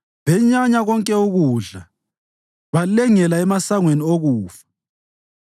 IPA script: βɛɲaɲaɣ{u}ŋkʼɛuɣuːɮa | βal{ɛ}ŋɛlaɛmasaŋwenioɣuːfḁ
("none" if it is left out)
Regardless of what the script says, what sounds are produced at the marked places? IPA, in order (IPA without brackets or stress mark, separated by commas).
ɔ, ɛ